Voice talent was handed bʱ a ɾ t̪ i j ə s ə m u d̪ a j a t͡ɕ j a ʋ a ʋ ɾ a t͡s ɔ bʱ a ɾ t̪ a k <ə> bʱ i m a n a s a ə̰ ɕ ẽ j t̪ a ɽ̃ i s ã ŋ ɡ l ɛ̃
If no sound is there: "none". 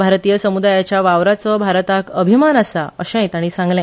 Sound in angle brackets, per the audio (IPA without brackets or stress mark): ə